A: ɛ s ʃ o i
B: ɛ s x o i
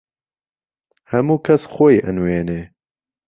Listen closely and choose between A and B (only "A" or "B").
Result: B